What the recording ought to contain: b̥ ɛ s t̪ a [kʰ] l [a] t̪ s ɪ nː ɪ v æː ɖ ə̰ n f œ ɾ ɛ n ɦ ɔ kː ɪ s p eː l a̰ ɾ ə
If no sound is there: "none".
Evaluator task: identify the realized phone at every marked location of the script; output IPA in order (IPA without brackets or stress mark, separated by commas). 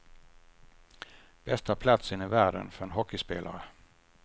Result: pʰ, a